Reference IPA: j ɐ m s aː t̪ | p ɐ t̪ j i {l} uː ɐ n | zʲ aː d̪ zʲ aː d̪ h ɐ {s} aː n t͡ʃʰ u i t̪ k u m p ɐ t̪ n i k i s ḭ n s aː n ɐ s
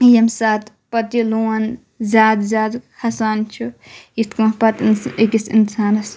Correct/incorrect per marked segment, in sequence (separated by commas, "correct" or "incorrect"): correct, correct